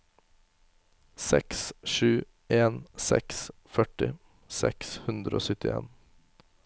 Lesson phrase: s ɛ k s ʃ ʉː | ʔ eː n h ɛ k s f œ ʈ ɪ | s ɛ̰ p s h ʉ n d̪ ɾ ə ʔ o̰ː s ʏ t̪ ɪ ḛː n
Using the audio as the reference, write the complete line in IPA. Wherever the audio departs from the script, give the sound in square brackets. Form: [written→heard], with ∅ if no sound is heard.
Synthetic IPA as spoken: s ɛ k s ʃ ʉː | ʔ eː n [h→s] ɛ k s f œ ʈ ɪ | s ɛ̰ [p→k] s h ʉ n d̪ ɾ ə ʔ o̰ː s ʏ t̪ ɪ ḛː n

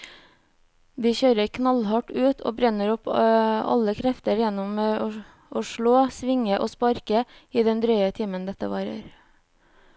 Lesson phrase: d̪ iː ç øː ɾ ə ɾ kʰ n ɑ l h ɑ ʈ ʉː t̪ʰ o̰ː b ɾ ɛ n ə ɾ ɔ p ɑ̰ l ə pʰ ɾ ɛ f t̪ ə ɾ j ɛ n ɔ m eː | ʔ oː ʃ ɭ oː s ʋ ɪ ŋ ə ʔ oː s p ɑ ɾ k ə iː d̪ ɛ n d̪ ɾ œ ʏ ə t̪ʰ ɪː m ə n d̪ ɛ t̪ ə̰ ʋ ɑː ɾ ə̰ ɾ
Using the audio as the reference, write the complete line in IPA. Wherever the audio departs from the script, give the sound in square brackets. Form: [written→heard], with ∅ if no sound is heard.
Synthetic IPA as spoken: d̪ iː ç øː ɾ ə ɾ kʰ n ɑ l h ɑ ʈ ʉː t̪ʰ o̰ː b ɾ ɛ n ə ɾ ɔ p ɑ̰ l ə [pʰ→kʰ] ɾ ɛ f t̪ ə ɾ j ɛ n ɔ m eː | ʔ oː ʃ ɭ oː s ʋ ɪ ŋ ə ʔ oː s p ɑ ɾ k ə iː d̪ ɛ n d̪ ɾ œ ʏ ə t̪ʰ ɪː m ə n d̪ ɛ t̪ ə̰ ʋ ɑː ɾ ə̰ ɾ

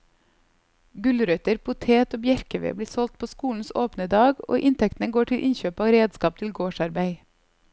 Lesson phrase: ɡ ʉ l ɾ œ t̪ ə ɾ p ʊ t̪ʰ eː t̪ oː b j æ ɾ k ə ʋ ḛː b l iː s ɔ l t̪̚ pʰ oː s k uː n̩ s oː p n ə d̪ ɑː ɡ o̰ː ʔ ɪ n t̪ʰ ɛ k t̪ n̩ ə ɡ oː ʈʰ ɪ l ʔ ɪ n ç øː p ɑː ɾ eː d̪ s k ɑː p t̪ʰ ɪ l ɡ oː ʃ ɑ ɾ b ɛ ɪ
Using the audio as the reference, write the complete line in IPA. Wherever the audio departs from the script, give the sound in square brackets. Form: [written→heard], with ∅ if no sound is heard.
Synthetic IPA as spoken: ɡ ʉ l ɾ œ t̪ ə ɾ p ʊ t̪ʰ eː t̪ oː b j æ ɾ k ə ʋ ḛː b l iː s ɔ l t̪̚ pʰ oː s k uː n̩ s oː p n ə d̪ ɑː ɡ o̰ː ʔ ɪ n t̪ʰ ɛ k t̪ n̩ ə ɡ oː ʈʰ ɪ l ʔ ɪ n ç øː p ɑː ɾ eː d̪ s k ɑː p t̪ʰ ɪ l ɡ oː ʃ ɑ ɾ b [ɛ→æ] ɪ

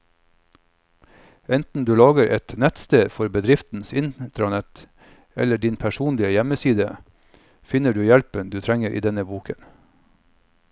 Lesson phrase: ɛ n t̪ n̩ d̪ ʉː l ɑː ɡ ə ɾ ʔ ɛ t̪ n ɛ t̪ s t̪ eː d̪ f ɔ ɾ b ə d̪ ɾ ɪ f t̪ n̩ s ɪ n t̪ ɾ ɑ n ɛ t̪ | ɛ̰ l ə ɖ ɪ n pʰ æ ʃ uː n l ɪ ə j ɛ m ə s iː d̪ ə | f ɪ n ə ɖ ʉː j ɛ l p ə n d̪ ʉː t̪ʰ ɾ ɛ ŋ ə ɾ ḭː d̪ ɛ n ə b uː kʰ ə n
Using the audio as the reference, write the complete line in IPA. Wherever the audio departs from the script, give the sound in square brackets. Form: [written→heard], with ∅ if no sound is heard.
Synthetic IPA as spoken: ɛ n t̪ n̩ d̪ ʉː l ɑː ɡ ə ɾ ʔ ɛ t̪ n ɛ t̪ s t̪ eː d̪ f ɔ ɾ b ə d̪ ɾ ɪ f t̪ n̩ s ɪ n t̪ ɾ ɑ n ɛ t̪ | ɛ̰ l ə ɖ ɪ n pʰ æ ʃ uː n l ɪ ə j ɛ m ə s iː d̪ ə | f ɪ n ə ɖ ʉː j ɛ l p ə n d̪ ʉː t̪ʰ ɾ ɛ ŋ ə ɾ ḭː d̪ ɛ n ə b uː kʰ ə n

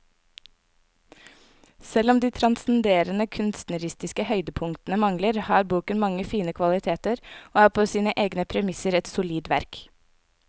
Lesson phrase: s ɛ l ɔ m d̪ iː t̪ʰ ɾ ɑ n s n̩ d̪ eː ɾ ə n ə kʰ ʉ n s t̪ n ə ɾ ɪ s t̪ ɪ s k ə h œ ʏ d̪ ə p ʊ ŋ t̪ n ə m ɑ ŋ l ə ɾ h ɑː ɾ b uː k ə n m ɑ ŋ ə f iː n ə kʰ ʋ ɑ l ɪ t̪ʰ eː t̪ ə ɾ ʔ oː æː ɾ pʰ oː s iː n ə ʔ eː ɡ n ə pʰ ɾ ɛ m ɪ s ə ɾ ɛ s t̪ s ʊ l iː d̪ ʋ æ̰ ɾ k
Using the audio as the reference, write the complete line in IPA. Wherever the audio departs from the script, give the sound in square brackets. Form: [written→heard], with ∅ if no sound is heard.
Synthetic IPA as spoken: s ɛ l ɔ m d̪ iː t̪ʰ ɾ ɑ n s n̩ d̪ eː ɾ ə n ə kʰ ʉ n s t̪ n ə ɾ ɪ s t̪ ɪ s k ə h œ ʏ d̪ ə [p→pʰ] ʊ ŋ t̪ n ə m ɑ ŋ l ə ɾ h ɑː ɾ b uː k ə n m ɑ ŋ ə f iː n ə kʰ ʋ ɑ l ɪ t̪ʰ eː t̪ ə ɾ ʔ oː æː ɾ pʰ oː s iː n ə ʔ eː ɡ n ə pʰ ɾ ɛ m ɪ s ə ɾ ɛ [s→∅] t̪ s ʊ l iː d̪ ʋ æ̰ ɾ k

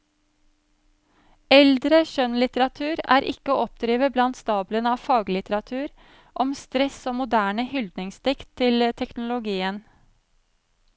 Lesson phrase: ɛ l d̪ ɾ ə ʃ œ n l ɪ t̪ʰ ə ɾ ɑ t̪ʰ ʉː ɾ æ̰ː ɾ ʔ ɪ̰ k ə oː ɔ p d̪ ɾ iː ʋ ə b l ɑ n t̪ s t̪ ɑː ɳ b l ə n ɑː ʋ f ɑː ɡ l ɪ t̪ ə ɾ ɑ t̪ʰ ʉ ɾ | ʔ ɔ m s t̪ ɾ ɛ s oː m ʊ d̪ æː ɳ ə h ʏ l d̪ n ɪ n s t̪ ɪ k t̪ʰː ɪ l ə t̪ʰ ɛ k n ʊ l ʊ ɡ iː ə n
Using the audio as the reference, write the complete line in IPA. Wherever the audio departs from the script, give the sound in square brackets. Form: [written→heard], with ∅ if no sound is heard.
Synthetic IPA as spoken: ɛ l d̪ ɾ ə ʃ œ n l ɪ [t̪ʰ→t̪] ə ɾ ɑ t̪ʰ ʉː ɾ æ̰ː ɾ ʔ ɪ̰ k ə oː ɔ p d̪ ɾ iː ʋ ə b l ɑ n t̪ s t̪ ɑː [ɳ→∅] b l ə n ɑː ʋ f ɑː ɡ l ɪ t̪ ə ɾ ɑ t̪ʰ [ʉ→ʉː] ɾ | ʔ ɔ m s t̪ ɾ ɛ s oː m ʊ d̪ æː ɳ ə h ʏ l d̪ n ɪ [n→ŋ] s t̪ ɪ k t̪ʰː ɪ l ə t̪ʰ ɛ k n ʊ l ʊ ɡ iː ə n

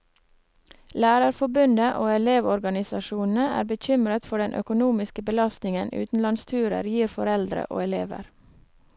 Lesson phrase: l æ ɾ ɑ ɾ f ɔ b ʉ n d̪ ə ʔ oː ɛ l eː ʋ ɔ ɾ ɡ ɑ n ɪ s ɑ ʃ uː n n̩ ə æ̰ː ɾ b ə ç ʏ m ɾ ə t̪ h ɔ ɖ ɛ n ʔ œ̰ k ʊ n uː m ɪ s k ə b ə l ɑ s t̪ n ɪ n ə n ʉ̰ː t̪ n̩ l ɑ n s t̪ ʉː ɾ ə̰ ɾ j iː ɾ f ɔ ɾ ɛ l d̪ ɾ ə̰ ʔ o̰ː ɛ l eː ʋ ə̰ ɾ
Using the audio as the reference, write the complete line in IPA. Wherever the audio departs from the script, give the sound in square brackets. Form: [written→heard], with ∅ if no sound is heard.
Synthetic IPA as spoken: l [æ→æː] ɾ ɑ ɾ f ɔ b ʉ n d̪ ə ʔ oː ɛ l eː ʋ ɔ ɾ ɡ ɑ n ɪ s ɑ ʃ uː n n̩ ə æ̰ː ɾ b ə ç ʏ m ɾ ə t̪ [h→f] ɔ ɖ ɛ n ʔ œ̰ k ʊ n uː m ɪ s k ə b ə l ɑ s t̪ n ɪ [n→ŋ] ə n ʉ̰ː t̪ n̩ l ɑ n s [t̪→t̪ʰ] ʉː ɾ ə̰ ɾ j iː ɾ f ɔ ɾ ɛ l d̪ ɾ ə̰ ʔ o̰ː ɛ l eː ʋ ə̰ ɾ

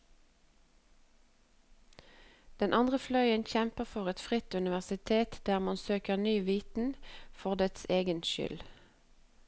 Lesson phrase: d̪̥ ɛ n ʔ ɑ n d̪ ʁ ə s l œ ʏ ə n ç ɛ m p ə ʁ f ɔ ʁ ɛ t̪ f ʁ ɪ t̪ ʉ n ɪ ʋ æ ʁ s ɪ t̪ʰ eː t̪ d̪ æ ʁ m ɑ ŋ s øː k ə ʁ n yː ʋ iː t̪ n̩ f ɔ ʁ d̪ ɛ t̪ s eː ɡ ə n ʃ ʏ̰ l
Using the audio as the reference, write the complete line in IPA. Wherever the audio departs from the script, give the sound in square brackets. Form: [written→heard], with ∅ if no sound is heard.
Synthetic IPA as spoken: d̪̥ ɛ n ʔ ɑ n d̪ ʁ ə [s→f] l œ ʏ ə n ç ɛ m p ə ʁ f ɔ ʁ ɛ t̪ f ʁ ɪ t̪ ʉ n ɪ ʋ æ ʁ s ɪ t̪ʰ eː t̪ d̪ [æ→æː] ʁ m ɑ [ŋ→n] s øː k ə ʁ n yː ʋ iː t̪ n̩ f ɔ ʁ d̪ ɛ t̪ s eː ɡ ə n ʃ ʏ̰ l

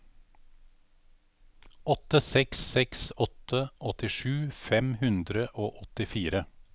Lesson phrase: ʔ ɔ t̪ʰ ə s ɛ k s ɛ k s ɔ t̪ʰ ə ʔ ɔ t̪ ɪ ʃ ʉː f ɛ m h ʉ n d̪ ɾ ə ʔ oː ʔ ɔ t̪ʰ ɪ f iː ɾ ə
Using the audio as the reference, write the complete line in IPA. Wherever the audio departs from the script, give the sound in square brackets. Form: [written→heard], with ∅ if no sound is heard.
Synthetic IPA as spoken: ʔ ɔ [t̪ʰ→t̪] ə s ɛ k s ɛ k s ɔ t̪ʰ ə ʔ ɔ t̪ ɪ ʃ ʉː f ɛ m h ʉ n d̪ ɾ ə ʔ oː ʔ ɔ [t̪ʰ→t̪] ɪ f iː ɾ ə

